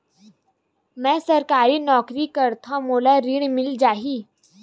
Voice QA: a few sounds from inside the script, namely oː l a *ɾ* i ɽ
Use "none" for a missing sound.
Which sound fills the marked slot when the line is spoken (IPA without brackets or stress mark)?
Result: ɾ